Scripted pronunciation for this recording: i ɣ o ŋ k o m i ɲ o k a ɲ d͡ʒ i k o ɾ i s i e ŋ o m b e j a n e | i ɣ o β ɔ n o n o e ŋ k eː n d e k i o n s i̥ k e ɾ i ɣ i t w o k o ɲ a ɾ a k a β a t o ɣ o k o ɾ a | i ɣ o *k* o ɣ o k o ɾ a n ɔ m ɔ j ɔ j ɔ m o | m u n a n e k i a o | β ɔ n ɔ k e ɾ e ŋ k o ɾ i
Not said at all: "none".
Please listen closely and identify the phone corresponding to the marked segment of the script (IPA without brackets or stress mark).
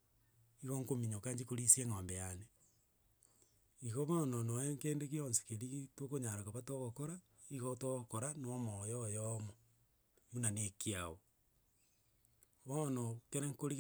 t